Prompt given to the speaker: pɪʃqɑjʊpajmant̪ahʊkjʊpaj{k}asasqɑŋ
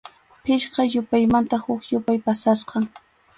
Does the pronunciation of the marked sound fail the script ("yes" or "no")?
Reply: yes